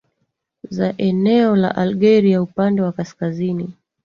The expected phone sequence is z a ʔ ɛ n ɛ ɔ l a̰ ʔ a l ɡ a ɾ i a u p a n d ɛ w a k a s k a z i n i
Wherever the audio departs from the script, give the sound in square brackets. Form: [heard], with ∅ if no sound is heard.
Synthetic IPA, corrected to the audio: z a ʔ ɛ n ɛ ɔ l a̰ ʔ a l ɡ [ɛ] ɾ i a u p a n d ɛ w a k a s k a z i n i